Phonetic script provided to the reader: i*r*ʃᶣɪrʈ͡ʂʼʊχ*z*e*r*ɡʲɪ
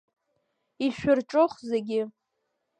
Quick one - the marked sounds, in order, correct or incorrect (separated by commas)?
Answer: incorrect, correct, incorrect